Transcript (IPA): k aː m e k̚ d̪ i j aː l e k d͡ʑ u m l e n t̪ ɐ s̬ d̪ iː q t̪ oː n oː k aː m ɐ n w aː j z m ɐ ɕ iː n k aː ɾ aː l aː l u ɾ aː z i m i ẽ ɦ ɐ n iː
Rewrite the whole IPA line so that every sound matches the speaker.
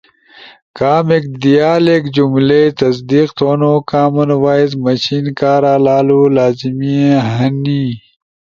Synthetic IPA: k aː m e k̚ d̪ i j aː l e k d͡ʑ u m l e t̪ ɐ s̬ d̪ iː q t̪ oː n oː k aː m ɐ n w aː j z m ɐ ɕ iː n k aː ɾ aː l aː l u l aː z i m i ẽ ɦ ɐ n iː